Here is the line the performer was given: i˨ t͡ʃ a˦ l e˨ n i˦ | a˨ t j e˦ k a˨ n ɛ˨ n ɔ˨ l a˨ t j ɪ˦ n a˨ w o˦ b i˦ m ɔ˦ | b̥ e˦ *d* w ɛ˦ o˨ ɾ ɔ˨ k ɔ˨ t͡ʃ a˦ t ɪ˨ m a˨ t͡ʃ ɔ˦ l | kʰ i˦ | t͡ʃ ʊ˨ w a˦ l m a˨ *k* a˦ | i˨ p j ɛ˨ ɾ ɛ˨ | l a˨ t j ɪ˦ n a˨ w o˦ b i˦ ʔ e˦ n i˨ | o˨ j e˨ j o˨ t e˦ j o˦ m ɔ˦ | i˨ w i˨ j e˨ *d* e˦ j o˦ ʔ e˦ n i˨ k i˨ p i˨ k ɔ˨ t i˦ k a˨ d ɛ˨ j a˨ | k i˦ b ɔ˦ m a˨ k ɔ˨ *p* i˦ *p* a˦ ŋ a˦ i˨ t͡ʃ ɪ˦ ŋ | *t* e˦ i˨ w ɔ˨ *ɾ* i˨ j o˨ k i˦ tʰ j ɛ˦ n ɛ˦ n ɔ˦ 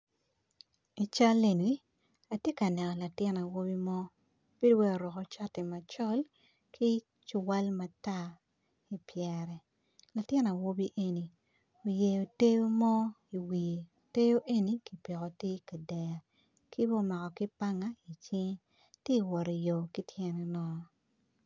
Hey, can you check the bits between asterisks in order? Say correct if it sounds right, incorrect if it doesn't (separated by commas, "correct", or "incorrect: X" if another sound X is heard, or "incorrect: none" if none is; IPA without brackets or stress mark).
correct, incorrect: t, incorrect: t, incorrect: k, correct, correct, correct